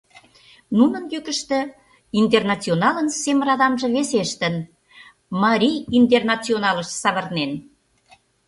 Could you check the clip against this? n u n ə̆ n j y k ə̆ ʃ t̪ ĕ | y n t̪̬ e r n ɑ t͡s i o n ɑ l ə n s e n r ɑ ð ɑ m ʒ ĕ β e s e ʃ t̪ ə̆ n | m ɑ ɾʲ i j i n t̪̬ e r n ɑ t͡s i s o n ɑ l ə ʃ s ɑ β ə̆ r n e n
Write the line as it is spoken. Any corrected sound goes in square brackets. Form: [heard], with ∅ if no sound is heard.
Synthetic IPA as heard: n u n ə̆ n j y k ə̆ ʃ t̪ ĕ | [i] n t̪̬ e r n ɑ t͡s i o n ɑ l ə n s e [m] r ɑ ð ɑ m ʒ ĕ β e s e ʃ t̪ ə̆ n | m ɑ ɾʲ i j i n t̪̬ e r n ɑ t͡s i [∅] o n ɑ l ə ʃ s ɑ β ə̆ r n e n